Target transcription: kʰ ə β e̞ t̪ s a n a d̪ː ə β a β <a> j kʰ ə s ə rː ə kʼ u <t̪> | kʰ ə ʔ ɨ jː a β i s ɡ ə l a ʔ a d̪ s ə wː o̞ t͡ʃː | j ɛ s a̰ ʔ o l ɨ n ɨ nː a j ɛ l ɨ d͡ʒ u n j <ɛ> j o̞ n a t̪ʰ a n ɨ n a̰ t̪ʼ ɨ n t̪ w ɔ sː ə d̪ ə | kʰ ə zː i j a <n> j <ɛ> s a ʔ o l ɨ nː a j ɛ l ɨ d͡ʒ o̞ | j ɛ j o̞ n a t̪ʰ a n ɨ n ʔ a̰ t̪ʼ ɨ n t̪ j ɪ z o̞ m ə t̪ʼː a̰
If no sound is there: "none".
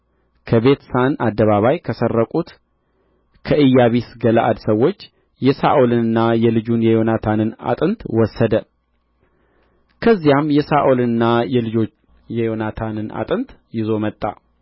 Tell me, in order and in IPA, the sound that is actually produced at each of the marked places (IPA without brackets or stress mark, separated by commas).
a, t̪, ɛ, m, ɛ